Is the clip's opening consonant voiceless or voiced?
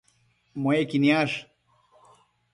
voiced